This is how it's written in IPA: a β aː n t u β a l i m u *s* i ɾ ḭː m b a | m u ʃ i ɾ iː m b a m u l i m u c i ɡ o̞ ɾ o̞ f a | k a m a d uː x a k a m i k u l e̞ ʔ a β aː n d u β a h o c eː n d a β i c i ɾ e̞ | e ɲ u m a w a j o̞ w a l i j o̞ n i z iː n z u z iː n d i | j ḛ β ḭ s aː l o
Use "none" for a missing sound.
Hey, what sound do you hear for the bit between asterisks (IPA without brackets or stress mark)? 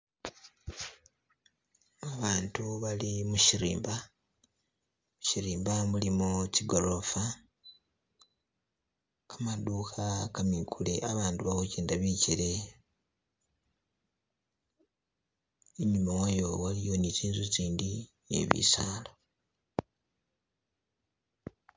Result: ʃ